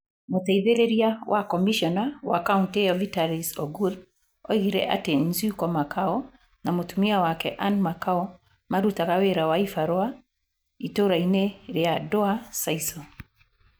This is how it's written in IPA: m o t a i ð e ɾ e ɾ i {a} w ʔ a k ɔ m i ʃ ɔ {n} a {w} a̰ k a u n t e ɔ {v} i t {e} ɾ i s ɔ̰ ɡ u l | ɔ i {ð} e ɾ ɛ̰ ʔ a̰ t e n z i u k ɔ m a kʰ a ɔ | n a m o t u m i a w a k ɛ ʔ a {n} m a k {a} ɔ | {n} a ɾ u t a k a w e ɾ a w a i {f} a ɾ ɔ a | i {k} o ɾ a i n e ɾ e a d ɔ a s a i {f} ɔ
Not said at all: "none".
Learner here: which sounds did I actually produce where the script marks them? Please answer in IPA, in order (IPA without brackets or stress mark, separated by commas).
a, n, w, v, a, ɣ, n, a, m, f, t, s